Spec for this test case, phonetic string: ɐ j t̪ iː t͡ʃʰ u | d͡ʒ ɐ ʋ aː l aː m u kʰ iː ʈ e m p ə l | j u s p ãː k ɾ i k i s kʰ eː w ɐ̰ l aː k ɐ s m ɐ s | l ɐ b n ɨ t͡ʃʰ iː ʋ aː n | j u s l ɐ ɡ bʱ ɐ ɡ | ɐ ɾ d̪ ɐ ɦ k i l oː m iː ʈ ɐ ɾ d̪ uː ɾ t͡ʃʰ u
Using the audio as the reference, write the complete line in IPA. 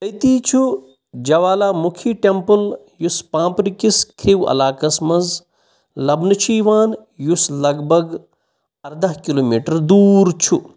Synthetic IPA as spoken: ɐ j t̪ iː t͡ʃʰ u | d͡ʒ ɐ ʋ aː l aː m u kʰ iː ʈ e m p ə l | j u s p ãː p ɾ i k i s kʰ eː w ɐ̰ l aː k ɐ s m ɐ z | l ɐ b n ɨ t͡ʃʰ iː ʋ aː n | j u s l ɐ ɡ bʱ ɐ ɡ | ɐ ɾ d̪ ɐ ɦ k i l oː m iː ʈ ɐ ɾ d̪ uː ɾ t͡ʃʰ u